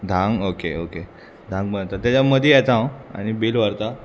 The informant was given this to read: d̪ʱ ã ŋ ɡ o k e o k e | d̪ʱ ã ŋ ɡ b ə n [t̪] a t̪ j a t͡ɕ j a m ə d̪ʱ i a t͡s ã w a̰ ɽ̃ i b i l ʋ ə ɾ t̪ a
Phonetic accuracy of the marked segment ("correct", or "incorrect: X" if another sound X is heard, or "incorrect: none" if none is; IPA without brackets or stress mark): correct